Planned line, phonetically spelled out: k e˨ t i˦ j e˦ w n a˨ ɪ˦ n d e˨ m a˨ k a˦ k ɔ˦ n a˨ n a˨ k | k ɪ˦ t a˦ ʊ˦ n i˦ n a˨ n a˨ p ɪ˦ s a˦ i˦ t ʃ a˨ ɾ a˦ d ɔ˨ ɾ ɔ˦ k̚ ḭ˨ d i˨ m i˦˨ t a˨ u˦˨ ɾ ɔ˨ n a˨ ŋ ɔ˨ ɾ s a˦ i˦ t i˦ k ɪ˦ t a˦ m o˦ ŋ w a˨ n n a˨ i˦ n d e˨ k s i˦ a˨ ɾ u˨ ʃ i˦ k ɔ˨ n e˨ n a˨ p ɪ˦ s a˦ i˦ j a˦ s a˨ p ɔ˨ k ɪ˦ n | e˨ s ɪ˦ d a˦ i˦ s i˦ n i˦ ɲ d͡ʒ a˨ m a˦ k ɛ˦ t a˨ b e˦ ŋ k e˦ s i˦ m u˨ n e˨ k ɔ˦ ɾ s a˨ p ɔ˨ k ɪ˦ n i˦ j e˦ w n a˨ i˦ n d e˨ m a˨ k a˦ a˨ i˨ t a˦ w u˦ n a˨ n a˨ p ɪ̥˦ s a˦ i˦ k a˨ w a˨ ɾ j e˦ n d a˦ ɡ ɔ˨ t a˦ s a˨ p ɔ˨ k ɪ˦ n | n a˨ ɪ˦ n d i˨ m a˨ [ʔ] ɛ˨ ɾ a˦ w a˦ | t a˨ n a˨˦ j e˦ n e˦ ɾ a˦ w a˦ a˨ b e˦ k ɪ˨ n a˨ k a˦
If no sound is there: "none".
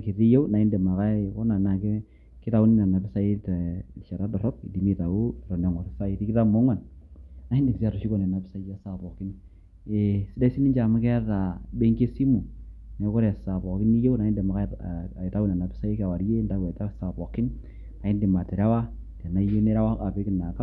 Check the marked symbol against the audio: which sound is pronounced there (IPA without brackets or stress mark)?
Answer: t